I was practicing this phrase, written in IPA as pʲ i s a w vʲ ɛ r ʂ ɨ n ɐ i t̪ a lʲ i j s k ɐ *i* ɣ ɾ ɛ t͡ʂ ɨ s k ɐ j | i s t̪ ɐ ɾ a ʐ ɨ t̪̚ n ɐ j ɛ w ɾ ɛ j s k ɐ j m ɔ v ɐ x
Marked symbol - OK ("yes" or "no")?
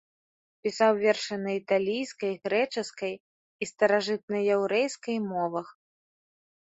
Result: no